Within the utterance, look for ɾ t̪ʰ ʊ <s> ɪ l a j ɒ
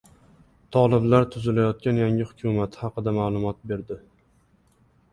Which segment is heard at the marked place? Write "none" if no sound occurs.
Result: z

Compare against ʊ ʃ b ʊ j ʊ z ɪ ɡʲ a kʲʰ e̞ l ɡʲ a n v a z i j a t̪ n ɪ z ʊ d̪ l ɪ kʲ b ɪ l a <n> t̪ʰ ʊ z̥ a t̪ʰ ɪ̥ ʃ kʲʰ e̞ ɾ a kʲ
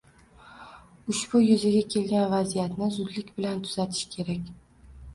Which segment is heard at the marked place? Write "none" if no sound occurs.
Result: n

